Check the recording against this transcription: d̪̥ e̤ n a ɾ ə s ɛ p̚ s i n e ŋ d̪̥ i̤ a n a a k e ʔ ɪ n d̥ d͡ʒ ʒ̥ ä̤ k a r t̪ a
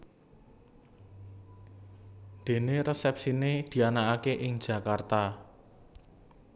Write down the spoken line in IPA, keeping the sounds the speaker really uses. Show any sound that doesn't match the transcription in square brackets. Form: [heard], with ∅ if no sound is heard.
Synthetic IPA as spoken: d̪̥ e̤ n [e] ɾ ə s ɛ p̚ s i n e [∅] d̪̥ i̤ a n a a k e ʔ ɪ [ŋ] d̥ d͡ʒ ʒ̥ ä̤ k a r t̪ a

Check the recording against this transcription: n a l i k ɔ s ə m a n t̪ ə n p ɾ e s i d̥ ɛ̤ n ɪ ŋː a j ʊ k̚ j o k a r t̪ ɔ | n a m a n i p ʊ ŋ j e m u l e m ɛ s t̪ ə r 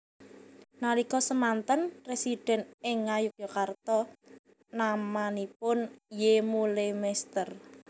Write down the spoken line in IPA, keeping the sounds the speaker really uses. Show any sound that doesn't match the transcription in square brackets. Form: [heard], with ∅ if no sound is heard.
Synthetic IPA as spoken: n a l i k ɔ s ə m a n t̪ ə n p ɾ e s i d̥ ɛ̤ n ɪ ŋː a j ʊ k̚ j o k a r t̪ ɔ | n a m a n i p ʊ [n] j e m u l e m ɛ s t̪ ə r

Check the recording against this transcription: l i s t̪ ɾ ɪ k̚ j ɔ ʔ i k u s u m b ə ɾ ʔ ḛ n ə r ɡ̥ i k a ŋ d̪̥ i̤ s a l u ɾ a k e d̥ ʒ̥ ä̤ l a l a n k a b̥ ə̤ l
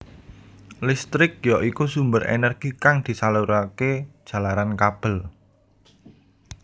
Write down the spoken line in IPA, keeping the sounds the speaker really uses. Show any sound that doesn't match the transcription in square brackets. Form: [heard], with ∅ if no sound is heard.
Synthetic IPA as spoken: l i s t̪ ɾ ɪ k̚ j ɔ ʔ i k u s u m b ə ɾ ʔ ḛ n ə r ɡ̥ i k a ŋ d̪̥ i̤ s a l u ɾ a k e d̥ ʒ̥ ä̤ l a [ɾ] a n k a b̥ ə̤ l

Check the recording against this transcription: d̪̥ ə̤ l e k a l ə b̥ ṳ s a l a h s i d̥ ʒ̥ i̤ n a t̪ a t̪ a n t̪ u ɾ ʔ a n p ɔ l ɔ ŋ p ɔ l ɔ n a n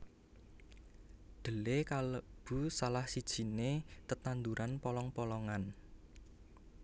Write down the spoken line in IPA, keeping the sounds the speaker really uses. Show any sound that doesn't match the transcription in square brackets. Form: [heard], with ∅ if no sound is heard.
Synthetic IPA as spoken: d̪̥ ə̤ l e k a l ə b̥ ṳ s a l a h s i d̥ ʒ̥ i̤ n [e] t̪ [ə] t̪ a n [d̪] u ɾ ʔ a n p ɔ l ɔ ŋ p ɔ l ɔ [ŋ] a n

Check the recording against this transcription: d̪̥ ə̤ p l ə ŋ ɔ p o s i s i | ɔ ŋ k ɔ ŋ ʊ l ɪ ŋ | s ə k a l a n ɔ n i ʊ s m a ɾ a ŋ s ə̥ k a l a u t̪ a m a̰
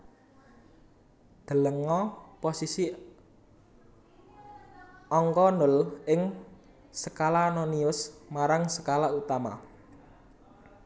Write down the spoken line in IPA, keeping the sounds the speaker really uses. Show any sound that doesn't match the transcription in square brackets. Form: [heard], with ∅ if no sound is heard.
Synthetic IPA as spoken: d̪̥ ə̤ [∅] l ə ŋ ɔ p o s i s i | ɔ ŋ k ɔ [n] ʊ l ɪ ŋ | s ə k a l a n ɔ n i ʊ s m a ɾ a ŋ s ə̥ k a l a u t̪ a m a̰

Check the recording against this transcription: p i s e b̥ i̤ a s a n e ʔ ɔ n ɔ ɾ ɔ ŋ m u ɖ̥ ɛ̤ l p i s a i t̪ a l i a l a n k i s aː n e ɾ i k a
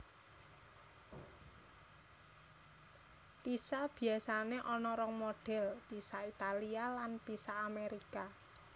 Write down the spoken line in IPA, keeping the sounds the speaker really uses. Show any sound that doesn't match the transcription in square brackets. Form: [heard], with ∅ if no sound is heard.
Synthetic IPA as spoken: p i s [a] b̥ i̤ a s a n e ʔ ɔ n ɔ ɾ ɔ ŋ m [o] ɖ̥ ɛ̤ l p i s a i t̪ a l i a l a n [p] i s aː [m] e ɾ i k a

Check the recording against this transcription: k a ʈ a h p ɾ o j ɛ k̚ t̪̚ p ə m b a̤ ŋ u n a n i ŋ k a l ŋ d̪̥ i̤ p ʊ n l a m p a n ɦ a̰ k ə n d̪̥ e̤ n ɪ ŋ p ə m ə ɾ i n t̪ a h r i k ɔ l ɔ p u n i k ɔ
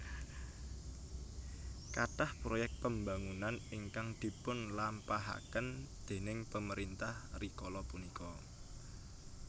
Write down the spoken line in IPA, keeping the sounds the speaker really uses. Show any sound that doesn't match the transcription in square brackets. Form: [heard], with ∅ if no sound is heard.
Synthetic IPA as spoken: k a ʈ a h p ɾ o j ɛ k̚ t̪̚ p ə m b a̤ ŋ u n a n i ŋ k a [∅] ŋ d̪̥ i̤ p ʊ n l a m p a [∅] ɦ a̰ k ə n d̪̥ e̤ n ɪ ŋ p ə m ə ɾ i n t̪ a h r i k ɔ l ɔ p u n i k ɔ

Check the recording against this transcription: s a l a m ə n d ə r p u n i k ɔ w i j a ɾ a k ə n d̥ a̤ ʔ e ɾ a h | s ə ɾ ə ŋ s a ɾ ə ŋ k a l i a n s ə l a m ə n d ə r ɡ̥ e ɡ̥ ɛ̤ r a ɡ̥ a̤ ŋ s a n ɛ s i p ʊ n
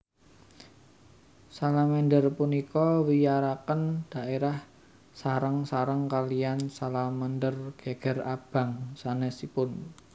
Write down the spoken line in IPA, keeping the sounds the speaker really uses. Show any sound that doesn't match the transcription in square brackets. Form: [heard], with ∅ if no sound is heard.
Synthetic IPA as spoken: s a l a m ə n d ə r p u n i k ɔ w i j a ɾ a k ə n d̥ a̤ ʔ e ɾ a h | s [a] ɾ ə ŋ s a ɾ ə ŋ k a l i a n s [a] l a m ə n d ə r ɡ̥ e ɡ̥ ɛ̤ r a [b̥] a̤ ŋ s a n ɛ s i p ʊ n

